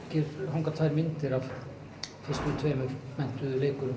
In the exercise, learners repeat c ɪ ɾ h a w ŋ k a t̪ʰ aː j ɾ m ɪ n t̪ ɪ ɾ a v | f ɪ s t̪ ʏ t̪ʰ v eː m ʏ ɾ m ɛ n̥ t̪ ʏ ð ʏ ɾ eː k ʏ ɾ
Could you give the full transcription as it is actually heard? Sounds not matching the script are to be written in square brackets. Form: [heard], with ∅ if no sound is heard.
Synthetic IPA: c ɪ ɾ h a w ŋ k a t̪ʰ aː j ɾ m ɪ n t̪ ɪ ɾ a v | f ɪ s t̪ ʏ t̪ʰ v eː m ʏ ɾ m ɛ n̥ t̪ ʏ ð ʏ [l] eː k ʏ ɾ